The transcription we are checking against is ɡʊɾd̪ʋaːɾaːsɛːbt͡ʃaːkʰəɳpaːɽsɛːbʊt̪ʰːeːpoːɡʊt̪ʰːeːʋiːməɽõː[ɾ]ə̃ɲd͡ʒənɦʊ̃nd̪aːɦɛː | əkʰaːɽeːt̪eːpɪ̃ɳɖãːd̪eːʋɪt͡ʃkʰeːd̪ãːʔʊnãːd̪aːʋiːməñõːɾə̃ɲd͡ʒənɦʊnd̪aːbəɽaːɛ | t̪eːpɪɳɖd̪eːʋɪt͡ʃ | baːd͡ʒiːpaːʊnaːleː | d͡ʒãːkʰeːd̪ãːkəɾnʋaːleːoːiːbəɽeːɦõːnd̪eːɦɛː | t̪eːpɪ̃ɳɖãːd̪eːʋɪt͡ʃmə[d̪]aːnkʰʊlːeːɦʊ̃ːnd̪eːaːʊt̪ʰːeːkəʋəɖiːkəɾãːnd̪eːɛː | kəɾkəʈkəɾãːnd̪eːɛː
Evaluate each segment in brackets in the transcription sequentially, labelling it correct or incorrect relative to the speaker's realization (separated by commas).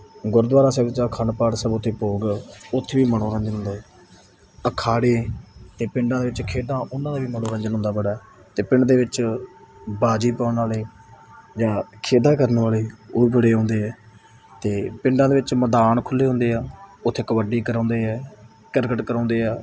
correct, correct